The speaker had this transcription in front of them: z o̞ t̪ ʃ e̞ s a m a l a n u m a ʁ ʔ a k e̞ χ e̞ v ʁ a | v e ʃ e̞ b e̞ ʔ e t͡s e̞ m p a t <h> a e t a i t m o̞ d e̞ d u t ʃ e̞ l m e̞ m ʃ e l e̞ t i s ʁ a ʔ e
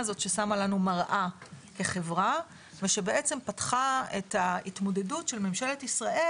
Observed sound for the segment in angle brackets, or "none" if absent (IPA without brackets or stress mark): χ